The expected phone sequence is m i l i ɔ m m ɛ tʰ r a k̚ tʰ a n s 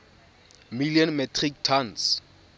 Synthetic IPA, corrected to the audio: m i l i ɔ n m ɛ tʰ r i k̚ tʰ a n s